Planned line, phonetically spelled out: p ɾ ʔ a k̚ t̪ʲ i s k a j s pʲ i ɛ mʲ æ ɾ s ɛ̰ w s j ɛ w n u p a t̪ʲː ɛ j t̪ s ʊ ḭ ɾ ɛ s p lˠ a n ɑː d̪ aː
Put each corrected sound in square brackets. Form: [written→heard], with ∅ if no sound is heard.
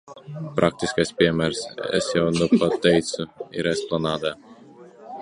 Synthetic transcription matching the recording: p ɾ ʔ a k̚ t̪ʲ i s k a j s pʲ i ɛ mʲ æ ɾ s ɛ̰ [w→∅] s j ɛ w n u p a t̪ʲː ɛ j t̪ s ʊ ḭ ɾ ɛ s p lˠ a n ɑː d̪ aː